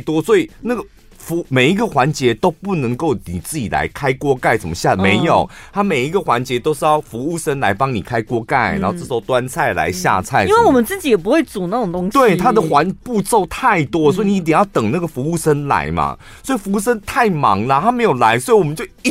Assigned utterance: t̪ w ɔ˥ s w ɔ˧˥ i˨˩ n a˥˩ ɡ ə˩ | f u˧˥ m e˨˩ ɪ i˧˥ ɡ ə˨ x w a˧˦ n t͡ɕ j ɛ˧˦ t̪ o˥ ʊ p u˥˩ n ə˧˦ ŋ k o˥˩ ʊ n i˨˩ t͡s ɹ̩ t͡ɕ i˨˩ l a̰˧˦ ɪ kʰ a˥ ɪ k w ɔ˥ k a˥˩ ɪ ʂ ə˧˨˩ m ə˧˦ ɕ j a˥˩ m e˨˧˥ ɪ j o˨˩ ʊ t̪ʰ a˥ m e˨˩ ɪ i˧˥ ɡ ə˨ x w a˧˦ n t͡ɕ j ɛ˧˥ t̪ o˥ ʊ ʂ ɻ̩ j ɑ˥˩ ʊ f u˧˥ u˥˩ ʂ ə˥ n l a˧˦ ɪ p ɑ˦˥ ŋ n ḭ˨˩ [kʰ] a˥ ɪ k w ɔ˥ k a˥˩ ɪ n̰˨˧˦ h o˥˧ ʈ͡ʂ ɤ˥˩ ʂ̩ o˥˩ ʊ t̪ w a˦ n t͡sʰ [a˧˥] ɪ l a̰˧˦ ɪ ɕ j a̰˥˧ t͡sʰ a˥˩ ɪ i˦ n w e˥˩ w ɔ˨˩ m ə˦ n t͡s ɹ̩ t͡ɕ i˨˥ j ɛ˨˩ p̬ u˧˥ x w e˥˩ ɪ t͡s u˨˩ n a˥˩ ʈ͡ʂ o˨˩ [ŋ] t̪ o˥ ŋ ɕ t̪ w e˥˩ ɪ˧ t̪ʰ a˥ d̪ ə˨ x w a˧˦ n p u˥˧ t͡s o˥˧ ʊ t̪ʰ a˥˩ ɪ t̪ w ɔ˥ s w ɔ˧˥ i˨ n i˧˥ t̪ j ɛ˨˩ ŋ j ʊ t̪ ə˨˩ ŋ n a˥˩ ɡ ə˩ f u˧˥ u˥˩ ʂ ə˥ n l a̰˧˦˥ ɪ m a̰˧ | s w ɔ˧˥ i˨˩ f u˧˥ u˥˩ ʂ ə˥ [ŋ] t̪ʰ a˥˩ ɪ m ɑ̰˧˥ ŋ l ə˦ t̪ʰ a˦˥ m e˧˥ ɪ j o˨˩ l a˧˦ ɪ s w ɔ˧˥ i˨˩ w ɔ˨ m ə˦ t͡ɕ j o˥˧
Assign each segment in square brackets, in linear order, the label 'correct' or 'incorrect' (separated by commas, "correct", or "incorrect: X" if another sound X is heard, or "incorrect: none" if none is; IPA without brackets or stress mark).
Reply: correct, incorrect: a˥˩, correct, incorrect: n